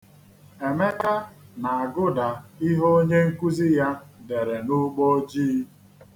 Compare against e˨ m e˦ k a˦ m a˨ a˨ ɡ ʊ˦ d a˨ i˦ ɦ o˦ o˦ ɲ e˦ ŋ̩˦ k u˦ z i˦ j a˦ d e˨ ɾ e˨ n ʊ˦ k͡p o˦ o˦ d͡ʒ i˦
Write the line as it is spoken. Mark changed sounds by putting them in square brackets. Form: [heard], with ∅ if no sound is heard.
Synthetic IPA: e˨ m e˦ k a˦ [n] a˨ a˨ ɡ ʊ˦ d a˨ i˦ ɦ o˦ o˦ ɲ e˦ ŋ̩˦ k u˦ z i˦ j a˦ d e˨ ɾ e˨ n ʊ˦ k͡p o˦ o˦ d͡ʒ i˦

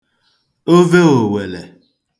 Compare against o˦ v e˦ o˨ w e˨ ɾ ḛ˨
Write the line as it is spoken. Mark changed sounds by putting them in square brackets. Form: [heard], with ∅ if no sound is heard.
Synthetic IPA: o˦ v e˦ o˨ w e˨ [l] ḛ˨

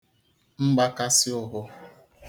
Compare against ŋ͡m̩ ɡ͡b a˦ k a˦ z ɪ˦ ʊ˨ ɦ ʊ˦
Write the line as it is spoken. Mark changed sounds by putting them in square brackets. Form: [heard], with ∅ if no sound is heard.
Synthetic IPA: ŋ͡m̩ ɡ͡b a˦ k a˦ [s] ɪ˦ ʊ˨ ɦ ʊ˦

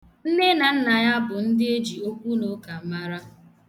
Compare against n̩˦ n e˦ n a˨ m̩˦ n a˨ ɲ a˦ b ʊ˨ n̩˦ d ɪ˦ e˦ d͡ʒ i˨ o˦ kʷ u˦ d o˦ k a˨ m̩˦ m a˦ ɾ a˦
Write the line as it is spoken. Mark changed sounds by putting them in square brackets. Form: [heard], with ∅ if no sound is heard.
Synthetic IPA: n̩˦ n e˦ n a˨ [n̩˦] n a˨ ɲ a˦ b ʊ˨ n̩˦ d ɪ˦ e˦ d͡ʒ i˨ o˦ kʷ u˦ [n] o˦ k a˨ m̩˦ m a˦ ɾ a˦

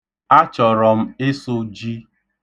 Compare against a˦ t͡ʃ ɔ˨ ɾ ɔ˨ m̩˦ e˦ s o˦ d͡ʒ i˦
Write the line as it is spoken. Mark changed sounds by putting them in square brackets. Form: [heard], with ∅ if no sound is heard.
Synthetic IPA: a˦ t͡ʃ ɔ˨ ɾ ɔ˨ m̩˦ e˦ s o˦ d͡ʒ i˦

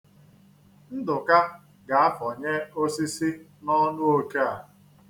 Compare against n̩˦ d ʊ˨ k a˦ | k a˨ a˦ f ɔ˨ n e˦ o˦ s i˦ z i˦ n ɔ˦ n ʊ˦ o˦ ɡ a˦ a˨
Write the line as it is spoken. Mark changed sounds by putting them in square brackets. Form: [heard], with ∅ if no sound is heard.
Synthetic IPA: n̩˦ d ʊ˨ k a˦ | [ɡ] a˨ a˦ f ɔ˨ [ɲ] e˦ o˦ s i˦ [s] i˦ n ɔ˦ n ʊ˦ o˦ [k] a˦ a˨

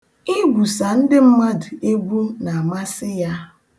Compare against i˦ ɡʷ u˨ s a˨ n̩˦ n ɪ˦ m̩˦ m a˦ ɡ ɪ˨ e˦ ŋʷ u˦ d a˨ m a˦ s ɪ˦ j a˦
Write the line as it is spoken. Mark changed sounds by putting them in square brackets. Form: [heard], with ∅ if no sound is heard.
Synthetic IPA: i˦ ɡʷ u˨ s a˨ n̩˦ [d] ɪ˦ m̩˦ m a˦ [d] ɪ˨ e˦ [ɡʷ] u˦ [n] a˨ m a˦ s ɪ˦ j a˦

